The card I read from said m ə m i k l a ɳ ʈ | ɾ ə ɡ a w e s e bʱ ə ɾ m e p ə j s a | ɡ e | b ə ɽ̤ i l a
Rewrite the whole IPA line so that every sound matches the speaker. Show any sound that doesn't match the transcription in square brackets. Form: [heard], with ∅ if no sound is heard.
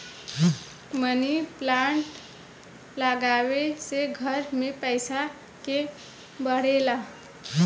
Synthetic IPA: m ə [n] i [p] l a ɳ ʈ | [l] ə ɡ a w e s e [ɡʱ] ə ɾ m e p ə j s a | [k] e | b ə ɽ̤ [e] l a